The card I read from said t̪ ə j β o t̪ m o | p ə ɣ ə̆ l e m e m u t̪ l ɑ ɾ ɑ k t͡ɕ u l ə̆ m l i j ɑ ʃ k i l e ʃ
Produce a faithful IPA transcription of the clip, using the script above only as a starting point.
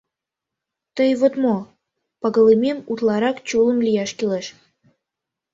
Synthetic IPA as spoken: t̪ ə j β o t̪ m o | p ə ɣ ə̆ l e m e m u t̪ l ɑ ɾ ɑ k t͡ɕ u l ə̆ m l i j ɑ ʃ k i l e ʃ